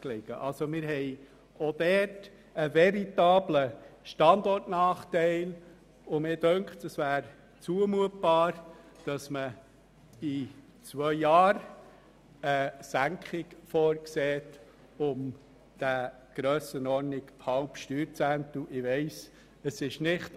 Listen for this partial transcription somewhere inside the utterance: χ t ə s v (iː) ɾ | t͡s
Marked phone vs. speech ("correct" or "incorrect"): incorrect